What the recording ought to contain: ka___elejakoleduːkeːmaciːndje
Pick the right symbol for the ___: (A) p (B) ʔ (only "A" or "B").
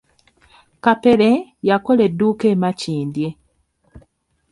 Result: A